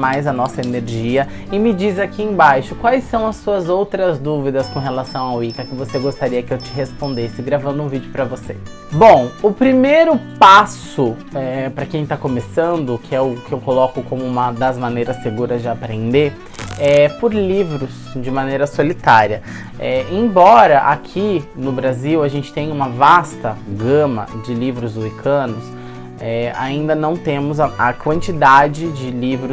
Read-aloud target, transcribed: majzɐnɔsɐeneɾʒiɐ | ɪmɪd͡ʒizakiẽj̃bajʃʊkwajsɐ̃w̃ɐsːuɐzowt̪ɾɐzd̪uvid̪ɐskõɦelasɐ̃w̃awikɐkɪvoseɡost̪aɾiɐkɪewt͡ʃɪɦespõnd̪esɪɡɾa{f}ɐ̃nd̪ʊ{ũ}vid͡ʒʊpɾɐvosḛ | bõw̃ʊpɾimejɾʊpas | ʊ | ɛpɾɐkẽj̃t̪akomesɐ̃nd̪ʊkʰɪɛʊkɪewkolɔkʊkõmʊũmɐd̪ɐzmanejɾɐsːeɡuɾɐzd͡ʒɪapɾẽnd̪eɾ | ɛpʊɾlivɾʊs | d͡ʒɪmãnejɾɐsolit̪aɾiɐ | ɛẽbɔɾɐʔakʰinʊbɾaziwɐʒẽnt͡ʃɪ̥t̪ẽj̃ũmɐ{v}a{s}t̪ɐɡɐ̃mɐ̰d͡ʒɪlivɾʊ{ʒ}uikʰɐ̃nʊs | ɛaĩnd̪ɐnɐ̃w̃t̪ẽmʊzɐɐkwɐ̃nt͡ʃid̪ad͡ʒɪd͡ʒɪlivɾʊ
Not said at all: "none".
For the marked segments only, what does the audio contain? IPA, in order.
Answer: v, ũ, v, s, z

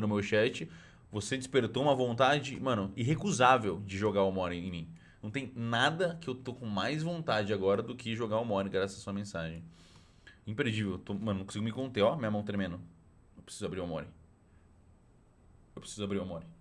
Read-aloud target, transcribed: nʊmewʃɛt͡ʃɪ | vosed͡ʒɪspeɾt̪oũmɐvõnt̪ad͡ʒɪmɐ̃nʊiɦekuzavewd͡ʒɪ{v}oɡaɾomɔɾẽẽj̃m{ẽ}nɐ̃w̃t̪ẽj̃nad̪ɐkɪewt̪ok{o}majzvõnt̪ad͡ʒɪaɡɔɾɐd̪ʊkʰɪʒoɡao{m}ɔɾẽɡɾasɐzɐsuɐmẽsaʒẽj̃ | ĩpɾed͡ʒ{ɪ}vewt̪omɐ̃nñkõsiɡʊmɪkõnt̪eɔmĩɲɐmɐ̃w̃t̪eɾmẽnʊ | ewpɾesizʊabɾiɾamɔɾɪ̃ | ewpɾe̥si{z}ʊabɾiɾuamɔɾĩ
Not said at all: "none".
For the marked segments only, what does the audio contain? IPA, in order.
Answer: ʒ, ĩ, õ, m, i, z

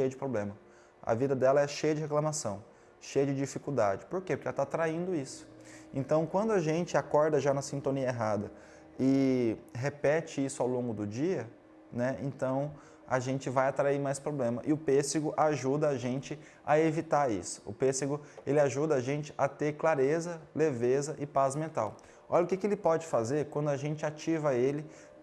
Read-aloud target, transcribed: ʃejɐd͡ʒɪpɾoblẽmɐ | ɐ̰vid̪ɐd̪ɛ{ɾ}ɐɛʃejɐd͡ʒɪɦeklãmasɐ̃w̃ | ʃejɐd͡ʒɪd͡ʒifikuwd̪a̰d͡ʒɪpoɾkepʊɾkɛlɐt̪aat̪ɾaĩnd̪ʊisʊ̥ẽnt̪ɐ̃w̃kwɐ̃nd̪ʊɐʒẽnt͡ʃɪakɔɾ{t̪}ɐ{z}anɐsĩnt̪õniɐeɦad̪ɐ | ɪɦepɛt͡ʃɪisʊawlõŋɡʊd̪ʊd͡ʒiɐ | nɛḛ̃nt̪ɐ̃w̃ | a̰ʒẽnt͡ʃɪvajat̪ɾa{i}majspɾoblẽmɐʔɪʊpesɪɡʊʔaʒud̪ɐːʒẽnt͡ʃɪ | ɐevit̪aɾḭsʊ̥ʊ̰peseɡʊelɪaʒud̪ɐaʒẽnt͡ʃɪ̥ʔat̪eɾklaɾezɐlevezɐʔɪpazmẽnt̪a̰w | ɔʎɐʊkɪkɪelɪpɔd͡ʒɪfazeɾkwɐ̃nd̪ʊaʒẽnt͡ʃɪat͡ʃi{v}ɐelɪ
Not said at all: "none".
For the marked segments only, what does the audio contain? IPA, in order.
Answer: l, d̪, ʒ, i, v

